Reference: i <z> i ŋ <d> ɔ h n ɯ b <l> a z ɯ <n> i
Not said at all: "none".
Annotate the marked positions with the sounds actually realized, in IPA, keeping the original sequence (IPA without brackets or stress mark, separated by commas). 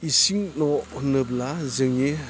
s, n, l, ŋ